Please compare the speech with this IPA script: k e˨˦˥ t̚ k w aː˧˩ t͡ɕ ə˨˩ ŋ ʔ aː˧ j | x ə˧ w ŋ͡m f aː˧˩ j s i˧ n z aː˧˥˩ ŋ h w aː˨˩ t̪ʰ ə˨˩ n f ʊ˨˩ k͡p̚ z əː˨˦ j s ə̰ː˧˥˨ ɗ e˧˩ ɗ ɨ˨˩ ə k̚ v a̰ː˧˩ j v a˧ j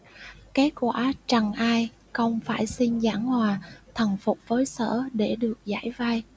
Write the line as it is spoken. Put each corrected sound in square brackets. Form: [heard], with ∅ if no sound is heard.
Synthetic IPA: k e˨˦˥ t̚ k w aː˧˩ t͡ɕ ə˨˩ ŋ ʔ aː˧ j | x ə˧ w ŋ͡m f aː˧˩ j s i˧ n z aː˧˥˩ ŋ h w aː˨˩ t̪ʰ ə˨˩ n f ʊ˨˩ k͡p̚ [v] əː˨˦ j s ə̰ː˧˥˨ ɗ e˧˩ ɗ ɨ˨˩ ə k̚ [z] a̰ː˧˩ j v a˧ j